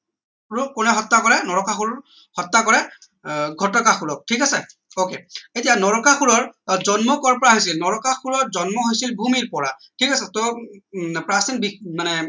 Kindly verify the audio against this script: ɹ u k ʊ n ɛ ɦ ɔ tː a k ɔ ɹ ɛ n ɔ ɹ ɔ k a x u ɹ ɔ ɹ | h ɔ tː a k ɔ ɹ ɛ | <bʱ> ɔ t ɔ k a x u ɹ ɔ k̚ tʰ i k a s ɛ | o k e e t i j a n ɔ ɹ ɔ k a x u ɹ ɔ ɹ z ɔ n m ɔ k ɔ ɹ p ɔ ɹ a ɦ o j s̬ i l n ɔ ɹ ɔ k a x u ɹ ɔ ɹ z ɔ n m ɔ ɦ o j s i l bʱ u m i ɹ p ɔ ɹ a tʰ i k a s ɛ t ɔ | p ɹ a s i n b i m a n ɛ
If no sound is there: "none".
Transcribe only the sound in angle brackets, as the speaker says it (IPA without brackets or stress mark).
ɡʱ